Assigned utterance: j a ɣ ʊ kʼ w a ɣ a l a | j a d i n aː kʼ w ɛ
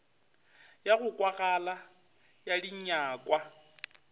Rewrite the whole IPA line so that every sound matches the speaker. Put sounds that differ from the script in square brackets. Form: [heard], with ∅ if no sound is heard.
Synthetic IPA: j a ɣ ʊ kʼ w a ɣ a l a | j a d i [ɲ] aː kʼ w [a]